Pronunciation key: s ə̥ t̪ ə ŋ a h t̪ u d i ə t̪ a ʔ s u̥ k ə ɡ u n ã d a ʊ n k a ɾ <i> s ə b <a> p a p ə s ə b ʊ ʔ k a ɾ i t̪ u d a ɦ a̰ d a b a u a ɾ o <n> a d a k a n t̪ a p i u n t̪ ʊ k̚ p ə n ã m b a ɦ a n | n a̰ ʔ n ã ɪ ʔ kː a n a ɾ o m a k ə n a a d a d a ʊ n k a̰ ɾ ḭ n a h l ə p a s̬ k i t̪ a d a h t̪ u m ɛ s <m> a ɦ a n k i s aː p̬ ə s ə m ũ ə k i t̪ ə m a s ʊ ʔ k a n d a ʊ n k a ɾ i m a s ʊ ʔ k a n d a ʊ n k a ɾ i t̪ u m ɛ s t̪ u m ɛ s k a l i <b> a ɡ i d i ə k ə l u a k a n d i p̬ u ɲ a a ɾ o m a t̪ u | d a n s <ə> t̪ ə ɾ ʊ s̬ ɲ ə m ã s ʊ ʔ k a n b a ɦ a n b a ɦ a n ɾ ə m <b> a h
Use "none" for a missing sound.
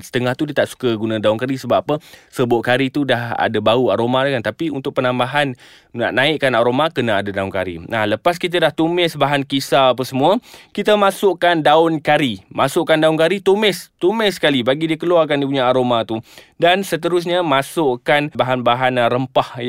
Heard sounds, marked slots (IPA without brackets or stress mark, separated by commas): i, a, m, b, b, ə, p